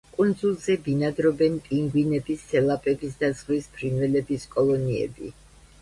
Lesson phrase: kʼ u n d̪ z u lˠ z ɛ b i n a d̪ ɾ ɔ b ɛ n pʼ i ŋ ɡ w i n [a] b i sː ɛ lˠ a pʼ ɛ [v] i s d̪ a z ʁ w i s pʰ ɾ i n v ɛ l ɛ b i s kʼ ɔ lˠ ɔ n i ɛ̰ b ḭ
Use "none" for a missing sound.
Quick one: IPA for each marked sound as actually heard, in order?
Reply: ɛ, b

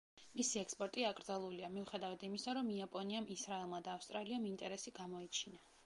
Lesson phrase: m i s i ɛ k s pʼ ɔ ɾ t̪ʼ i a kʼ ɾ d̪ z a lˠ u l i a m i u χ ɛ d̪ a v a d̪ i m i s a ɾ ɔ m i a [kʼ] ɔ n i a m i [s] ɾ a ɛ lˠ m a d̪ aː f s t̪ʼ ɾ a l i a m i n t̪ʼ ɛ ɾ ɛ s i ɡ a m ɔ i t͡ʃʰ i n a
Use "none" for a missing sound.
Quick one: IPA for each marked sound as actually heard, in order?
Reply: pʼ, s

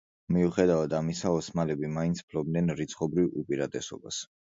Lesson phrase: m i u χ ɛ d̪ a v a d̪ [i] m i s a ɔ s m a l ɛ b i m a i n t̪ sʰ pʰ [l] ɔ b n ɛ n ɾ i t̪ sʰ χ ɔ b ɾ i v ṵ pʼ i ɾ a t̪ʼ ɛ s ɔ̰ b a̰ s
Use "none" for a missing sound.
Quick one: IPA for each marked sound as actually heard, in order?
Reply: a, l

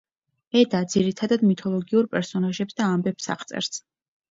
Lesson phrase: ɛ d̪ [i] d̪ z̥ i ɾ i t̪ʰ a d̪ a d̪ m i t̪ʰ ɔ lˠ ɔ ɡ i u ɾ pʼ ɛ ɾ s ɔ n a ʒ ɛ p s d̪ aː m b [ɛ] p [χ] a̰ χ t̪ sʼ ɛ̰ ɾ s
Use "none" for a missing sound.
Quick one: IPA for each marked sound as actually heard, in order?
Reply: a, ɛ, s

